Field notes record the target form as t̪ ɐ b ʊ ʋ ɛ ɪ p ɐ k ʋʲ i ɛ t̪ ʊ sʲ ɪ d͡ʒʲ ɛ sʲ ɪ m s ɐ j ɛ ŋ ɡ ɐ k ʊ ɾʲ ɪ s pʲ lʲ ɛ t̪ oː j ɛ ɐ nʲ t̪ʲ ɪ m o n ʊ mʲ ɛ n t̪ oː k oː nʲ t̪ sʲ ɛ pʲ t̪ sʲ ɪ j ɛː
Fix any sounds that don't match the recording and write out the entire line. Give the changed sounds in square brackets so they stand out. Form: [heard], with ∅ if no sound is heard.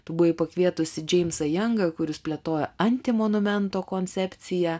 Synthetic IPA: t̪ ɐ b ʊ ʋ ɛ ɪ p ɐ k ʋʲ i ɛ t̪ ʊ sʲ ɪ d͡ʒʲ ɛ [∅] ɪ m s ɐ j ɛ ŋ ɡ ɐ k ʊ ɾʲ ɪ s pʲ lʲ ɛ t̪ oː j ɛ ɐ nʲ t̪ʲ ɪ m o n ʊ mʲ ɛ n t̪ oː k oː nʲ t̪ sʲ ɛ pʲ t̪ sʲ ɪ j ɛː